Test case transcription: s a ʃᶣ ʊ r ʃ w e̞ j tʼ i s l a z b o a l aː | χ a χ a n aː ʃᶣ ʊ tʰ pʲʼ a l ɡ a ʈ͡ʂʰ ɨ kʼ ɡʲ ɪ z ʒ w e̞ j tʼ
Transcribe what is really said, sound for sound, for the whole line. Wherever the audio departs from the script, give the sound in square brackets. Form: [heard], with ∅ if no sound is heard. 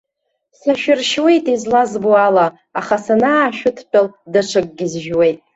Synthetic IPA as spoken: s a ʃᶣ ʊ r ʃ w e̞ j tʼ i [z] l a z b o a l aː | χ a [s] a n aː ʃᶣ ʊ tʰ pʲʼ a l [d] a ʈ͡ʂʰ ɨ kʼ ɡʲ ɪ z ʒ w e̞ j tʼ